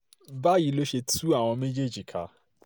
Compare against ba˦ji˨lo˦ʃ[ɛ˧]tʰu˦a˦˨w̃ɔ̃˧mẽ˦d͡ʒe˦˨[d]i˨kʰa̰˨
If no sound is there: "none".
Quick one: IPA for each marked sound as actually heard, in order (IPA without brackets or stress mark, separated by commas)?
e˧, d͡ʒ